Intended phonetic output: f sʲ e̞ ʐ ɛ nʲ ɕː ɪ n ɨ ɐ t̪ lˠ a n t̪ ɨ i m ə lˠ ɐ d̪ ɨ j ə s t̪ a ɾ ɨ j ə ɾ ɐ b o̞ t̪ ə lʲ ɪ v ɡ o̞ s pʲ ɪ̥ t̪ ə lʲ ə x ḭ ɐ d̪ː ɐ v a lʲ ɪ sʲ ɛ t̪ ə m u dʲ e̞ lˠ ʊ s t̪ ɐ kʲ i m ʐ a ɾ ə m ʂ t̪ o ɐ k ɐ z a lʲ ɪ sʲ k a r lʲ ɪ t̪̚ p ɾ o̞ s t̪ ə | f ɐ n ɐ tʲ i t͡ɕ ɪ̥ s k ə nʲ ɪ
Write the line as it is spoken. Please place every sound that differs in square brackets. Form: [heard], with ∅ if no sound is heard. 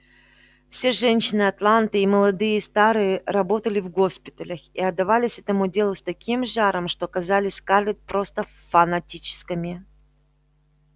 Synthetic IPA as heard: f sʲ e̞ ʐ ɛ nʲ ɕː ɪ n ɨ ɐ t̪ lˠ a n t̪ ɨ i m ə lˠ ɐ d̪ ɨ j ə s t̪ a ɾ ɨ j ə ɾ ɐ b o̞ t̪ ə lʲ ɪ v ɡ o̞ s pʲ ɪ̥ t̪ ə lʲ ə x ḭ ɐ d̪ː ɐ v a lʲ ɪ sʲ ɛ t̪ ə m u dʲ e̞ lˠ ʊ s t̪ ɐ kʲ i m ʐ a ɾ ə m ʂ t̪ o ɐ k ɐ z a lʲ ɪ sʲ k a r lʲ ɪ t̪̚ p ɾ o̞ s t̪ ə | f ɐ n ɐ tʲ i t͡ɕ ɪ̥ s k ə [mʲ] ɪ